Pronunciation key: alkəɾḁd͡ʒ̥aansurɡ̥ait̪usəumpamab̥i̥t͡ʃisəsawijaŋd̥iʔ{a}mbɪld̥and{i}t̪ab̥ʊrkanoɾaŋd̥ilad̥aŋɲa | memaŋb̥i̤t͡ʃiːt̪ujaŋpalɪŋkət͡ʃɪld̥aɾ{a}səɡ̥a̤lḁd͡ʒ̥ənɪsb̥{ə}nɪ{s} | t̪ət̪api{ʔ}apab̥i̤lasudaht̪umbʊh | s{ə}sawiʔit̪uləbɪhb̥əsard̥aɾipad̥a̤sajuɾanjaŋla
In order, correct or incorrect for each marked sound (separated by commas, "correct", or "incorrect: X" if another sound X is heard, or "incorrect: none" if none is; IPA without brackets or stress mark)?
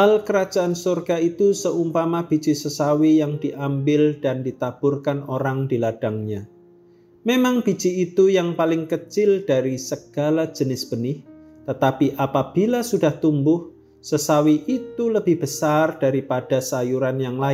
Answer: correct, correct, incorrect: i, correct, incorrect: h, correct, correct